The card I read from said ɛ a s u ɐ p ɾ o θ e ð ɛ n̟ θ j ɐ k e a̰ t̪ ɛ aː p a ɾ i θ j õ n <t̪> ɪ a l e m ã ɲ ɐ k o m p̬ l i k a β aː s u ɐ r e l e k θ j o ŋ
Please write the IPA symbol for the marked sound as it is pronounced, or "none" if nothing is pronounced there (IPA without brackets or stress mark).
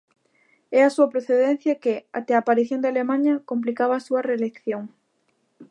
d̪